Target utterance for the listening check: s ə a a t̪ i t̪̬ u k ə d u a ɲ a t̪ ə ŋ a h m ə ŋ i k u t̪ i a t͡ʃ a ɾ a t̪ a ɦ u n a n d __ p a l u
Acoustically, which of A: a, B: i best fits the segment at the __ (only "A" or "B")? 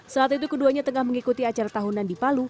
B